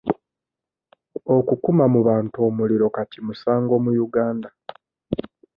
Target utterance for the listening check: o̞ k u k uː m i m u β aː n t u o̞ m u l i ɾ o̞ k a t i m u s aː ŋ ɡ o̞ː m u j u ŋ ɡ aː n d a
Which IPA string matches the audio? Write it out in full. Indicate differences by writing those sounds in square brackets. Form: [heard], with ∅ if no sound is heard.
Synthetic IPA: o̞ k u k [u] m [a] m u β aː n t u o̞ m u l i ɾ o̞ k a t i m u s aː ŋ ɡ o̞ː m u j u [∅] ɡ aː n d a